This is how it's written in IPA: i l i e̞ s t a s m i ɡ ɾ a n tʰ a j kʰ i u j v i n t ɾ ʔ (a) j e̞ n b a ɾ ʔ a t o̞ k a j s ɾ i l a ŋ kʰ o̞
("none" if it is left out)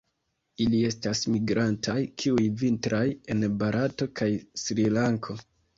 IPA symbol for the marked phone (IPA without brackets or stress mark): a